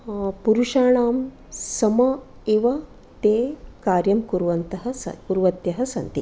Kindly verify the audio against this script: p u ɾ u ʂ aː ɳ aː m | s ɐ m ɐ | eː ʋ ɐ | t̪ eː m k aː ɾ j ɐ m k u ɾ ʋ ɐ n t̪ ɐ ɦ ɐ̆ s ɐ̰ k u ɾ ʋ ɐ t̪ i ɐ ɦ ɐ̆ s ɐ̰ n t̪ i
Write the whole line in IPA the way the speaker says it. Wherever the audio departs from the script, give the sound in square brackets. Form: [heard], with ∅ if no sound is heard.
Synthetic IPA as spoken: p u ɾ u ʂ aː ɳ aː m | s ɐ m ɐ | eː ʋ ɐ | t̪ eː [∅] k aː ɾ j ɐ m k u ɾ ʋ ɐ n t̪ ɐ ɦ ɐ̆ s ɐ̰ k u ɾ ʋ ɐ t̪ [j] ɐ ɦ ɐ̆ s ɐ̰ n t̪ i